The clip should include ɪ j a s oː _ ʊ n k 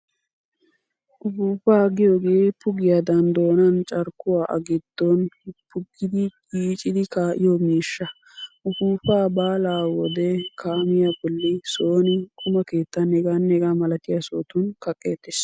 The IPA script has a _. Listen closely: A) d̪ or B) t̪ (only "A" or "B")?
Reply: B